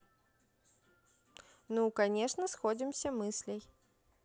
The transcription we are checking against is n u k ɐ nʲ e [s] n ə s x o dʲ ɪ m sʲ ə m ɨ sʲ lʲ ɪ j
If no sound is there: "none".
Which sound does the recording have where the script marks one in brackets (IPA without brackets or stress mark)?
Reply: ʂ